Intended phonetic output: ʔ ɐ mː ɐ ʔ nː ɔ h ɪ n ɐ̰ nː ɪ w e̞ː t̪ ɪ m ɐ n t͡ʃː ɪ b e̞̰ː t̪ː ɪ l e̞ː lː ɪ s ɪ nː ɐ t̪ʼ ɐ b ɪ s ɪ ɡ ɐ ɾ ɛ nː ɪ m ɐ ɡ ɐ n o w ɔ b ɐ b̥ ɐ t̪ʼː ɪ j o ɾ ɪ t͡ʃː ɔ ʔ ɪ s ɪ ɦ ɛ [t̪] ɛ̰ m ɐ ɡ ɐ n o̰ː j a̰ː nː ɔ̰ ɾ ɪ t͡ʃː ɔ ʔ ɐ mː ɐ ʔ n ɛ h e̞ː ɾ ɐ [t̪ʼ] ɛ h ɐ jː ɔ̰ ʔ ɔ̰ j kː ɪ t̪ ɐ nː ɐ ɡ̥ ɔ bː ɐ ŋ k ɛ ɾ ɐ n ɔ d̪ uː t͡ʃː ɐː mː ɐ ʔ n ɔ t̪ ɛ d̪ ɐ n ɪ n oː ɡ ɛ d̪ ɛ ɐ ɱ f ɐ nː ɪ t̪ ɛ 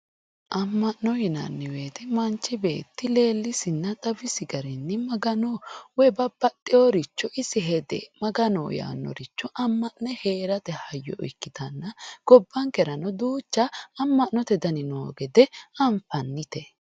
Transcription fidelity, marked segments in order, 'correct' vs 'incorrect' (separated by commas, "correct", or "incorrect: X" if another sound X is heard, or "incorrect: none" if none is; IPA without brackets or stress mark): incorrect: d̪, incorrect: t̪